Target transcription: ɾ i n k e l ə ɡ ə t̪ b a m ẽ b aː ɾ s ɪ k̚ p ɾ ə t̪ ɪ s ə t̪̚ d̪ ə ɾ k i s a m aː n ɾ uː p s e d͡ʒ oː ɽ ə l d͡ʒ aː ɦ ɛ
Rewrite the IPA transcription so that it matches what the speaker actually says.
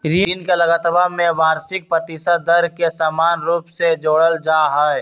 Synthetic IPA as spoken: ɾ i n k e l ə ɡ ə t̪ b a m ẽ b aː ɾ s ɪ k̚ p ɾ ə t̪ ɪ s ə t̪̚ d̪ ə ɾ k e s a m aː n ɾ uː p s e d͡ʒ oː ɽ ə l d͡ʒ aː ɦ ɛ